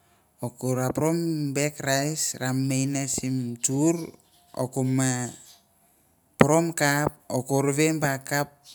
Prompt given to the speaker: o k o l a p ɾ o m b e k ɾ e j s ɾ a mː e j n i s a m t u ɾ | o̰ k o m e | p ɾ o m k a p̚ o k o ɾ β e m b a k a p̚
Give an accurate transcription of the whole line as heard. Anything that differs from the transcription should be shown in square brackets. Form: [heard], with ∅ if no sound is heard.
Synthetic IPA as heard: o k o [ɾ] a p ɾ o m b e k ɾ [a] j s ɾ a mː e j n [a] s [i] m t u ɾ | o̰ k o m [a] | p ɾ o m k a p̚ o k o ɾ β e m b a k a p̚